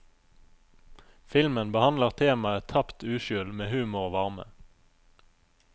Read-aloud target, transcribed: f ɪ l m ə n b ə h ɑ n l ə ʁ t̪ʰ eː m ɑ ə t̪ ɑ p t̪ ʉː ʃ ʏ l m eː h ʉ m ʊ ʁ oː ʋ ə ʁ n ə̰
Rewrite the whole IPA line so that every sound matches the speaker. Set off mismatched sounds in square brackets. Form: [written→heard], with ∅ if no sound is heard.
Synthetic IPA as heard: f ɪ l m ə n b ə h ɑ n l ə ʁ t̪ʰ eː m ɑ ə [t̪→t̪ʰ] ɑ p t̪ ʉː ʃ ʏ l m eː h [ʉ→ʉː] m ʊ ʁ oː ʋ [ə→ɑ] ʁ [n→m] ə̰